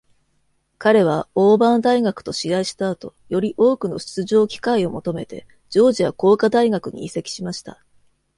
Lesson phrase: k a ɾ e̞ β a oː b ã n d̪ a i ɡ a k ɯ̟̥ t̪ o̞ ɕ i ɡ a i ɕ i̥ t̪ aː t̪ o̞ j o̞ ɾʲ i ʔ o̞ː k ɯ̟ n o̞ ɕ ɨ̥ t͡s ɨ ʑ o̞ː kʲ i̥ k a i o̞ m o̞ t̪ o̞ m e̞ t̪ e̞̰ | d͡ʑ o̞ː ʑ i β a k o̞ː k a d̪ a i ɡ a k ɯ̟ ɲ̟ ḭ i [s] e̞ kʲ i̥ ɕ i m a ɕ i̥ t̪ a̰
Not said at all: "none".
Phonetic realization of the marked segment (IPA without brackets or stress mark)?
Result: s